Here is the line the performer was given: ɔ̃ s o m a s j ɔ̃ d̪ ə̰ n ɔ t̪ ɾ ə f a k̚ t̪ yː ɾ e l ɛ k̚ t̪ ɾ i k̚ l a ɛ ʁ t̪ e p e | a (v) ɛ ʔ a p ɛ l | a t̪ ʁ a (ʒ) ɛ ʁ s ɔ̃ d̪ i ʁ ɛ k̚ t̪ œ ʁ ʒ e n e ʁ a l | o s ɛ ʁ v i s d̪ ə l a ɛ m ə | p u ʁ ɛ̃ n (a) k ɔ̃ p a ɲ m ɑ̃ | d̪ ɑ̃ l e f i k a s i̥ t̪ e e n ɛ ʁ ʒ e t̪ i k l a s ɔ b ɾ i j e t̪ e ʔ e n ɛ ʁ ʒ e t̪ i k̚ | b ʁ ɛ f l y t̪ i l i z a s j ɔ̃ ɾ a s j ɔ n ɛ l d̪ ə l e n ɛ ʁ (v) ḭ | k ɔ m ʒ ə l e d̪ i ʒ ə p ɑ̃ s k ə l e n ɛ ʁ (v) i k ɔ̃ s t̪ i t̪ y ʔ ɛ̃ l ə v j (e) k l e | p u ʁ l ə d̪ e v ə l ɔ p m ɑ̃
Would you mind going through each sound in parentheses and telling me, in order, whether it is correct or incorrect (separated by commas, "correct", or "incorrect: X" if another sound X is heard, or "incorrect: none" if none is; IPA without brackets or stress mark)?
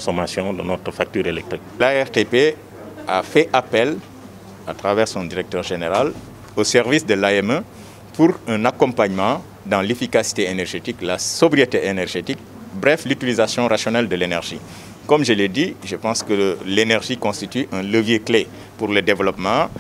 incorrect: f, incorrect: v, correct, incorrect: ʒ, incorrect: ʒ, correct